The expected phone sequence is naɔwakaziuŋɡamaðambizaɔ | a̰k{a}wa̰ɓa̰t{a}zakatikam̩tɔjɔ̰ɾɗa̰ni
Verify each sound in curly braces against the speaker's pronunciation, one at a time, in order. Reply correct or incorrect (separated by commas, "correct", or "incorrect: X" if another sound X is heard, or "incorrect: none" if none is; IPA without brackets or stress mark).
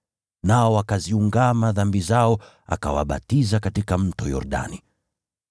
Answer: correct, incorrect: i